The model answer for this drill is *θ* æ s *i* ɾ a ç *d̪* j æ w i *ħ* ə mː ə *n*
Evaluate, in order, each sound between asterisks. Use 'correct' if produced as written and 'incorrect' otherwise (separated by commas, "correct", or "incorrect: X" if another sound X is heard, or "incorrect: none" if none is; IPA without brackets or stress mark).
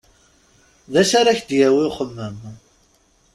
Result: incorrect: ð, incorrect: a, correct, incorrect: χ, incorrect: m